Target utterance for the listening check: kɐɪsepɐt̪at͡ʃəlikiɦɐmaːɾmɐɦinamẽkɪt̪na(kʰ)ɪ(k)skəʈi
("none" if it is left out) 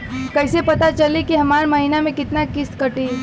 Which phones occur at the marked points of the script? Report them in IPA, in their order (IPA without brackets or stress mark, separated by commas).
k, none